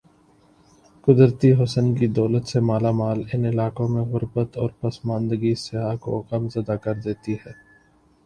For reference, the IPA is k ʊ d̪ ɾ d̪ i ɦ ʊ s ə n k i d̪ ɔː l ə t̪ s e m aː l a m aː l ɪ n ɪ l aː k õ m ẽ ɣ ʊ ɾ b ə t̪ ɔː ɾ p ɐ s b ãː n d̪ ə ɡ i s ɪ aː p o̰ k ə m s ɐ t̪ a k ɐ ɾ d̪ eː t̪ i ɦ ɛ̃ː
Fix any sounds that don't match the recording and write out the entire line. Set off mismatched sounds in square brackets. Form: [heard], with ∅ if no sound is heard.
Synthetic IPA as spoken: k ʊ d̪ ɾ [t̪] i ɦ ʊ s ə n k i d̪ ɔː l ə t̪ s e m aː l a m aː l ɪ n ɪ l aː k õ m ẽ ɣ ʊ ɾ b ə t̪ ɔː ɾ p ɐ s [m] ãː n d̪ ə ɡ i s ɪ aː [k] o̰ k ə m [z] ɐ [d̪] a k ɐ ɾ d̪ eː t̪ i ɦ [ɛː]